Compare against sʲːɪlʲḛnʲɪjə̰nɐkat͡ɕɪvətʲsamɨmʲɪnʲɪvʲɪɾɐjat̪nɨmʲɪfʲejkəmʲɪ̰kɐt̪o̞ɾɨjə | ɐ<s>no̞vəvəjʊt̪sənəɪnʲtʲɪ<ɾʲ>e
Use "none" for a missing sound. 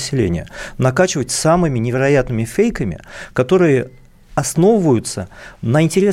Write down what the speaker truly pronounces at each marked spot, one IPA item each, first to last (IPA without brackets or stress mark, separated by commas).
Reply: s, ɾʲ